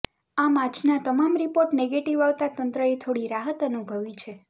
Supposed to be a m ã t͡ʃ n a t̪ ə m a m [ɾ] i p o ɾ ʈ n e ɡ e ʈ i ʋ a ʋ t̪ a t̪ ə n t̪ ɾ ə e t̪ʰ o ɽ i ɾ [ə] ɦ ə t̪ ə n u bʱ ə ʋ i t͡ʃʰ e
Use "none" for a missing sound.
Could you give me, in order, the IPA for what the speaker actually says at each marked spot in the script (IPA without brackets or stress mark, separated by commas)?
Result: ɾ, a